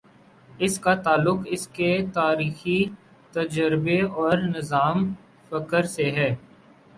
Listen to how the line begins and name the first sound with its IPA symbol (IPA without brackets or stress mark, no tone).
ɪ